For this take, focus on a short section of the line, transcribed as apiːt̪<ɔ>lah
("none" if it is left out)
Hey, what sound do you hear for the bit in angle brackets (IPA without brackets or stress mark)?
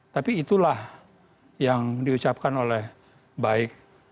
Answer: u